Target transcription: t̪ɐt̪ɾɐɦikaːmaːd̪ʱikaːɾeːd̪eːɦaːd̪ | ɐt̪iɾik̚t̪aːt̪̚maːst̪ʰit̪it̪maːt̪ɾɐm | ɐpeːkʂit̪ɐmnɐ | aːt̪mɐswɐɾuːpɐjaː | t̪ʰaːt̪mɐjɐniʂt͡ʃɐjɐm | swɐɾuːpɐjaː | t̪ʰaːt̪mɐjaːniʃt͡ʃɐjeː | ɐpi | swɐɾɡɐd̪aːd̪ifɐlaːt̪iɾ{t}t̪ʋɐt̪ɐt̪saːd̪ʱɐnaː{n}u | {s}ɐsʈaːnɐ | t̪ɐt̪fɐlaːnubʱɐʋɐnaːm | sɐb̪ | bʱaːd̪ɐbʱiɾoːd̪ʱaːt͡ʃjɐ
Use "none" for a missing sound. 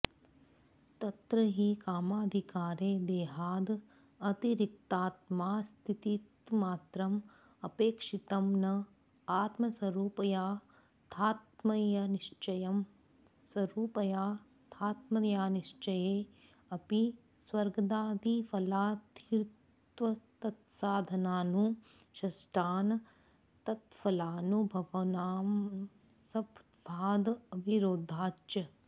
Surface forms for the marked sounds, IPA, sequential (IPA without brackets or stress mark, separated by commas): t, n, ʃ